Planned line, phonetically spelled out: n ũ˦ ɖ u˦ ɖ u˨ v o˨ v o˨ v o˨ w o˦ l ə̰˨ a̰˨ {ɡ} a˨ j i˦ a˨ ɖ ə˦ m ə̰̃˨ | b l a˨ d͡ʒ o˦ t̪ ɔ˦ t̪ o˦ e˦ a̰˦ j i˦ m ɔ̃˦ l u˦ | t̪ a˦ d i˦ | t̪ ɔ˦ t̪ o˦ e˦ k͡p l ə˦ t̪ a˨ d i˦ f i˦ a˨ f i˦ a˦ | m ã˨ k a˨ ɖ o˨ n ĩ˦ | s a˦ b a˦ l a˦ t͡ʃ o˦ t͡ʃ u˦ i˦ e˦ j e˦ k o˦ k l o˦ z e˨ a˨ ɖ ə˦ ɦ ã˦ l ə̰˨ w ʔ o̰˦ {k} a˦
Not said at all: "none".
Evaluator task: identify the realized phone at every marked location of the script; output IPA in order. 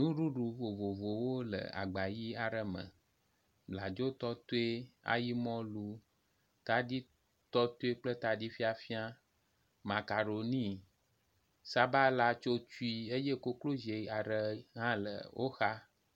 ɡ͡b, x

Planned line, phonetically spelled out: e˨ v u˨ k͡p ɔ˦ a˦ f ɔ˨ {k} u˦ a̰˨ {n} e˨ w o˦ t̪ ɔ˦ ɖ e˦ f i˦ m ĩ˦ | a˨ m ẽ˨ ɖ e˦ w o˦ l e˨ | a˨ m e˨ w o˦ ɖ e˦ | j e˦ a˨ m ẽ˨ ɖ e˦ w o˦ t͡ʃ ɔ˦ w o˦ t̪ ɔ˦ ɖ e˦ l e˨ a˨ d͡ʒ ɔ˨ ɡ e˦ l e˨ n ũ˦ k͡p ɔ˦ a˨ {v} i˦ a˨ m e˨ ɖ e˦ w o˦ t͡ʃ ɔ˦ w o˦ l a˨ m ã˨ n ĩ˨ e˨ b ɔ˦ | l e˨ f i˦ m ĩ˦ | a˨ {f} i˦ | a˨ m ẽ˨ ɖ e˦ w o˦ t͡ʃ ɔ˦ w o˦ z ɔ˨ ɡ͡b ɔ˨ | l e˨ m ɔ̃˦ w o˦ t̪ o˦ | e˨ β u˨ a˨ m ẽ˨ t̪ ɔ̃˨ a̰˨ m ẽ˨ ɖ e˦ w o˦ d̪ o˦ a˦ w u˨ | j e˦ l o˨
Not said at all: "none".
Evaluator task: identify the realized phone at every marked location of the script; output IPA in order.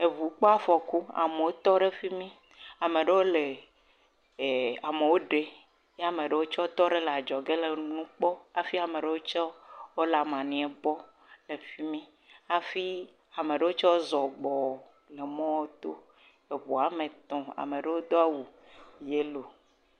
k, m, f, f

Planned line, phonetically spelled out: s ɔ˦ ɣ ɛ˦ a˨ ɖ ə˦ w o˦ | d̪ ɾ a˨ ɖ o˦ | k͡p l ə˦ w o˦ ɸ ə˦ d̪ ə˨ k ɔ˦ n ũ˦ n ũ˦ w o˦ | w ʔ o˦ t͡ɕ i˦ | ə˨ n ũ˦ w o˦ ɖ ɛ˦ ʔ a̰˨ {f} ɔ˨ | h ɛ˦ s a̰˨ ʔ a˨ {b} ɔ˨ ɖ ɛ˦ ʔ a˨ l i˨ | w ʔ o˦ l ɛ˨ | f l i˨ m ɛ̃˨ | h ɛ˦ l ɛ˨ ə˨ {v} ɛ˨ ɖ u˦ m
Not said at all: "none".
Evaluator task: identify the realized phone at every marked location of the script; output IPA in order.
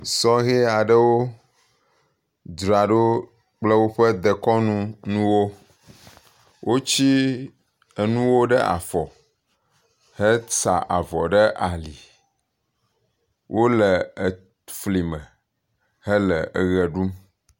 f, v, ɣ

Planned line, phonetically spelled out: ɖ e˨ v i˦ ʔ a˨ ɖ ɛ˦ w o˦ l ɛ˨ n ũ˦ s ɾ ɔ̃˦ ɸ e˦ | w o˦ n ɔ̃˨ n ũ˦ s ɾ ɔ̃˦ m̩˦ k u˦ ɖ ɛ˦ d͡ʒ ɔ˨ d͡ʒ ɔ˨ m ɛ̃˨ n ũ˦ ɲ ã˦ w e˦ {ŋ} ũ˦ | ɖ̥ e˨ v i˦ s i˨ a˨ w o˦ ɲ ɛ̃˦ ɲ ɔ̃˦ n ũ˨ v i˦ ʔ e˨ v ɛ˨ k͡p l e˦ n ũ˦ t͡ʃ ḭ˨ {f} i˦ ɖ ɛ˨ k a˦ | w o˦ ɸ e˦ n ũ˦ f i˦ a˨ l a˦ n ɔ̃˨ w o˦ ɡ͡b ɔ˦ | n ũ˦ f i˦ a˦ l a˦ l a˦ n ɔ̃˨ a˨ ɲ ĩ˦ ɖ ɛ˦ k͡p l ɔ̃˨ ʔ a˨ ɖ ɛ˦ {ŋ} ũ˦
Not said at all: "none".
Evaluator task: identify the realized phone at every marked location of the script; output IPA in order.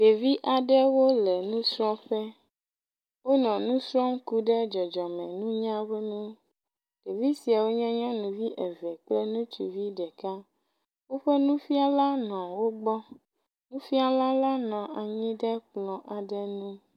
n, v, n

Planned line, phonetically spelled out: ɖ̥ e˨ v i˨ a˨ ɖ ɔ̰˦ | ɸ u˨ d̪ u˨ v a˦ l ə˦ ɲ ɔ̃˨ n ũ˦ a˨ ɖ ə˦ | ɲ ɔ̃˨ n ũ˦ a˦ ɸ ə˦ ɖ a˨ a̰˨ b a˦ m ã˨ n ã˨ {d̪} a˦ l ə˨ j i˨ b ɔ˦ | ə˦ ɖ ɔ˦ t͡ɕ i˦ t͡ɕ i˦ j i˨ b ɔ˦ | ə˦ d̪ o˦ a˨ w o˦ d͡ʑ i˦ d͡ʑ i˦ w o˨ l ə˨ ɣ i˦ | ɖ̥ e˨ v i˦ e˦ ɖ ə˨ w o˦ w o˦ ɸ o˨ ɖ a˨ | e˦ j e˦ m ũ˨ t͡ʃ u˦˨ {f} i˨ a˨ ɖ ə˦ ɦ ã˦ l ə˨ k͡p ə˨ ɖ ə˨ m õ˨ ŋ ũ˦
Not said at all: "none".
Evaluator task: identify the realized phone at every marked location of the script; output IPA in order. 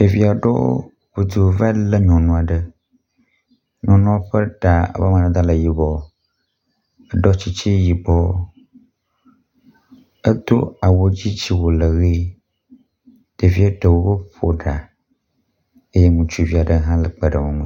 d̪, v

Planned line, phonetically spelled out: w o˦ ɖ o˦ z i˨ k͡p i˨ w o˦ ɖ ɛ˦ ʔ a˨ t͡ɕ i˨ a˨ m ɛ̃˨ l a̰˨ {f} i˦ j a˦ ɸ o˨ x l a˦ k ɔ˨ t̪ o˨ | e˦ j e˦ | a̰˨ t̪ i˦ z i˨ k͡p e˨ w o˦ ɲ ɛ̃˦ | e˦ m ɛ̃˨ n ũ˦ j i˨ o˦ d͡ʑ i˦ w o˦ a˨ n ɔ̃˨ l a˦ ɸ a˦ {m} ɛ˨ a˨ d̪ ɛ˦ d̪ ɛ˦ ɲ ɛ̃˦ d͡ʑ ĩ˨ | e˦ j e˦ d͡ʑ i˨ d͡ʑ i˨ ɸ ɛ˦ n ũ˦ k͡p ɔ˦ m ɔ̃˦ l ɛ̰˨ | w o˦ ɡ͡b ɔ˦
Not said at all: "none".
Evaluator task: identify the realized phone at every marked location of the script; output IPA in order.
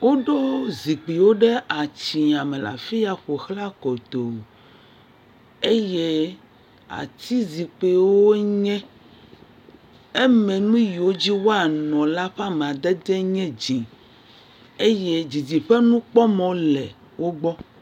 f, m

